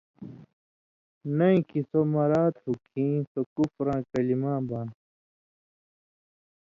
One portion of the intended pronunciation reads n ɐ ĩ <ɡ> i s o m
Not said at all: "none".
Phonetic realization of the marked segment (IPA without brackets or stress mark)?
k